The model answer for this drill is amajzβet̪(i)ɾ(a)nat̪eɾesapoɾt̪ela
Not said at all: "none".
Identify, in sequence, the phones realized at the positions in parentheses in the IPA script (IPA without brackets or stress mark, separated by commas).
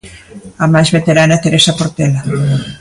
e, a